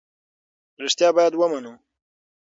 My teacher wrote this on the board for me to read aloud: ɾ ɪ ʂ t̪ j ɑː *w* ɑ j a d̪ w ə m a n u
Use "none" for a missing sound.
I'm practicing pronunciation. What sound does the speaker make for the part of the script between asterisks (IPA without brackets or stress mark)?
b